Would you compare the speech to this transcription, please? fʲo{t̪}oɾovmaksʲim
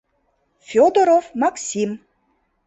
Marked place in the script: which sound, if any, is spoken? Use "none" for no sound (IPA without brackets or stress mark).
d̪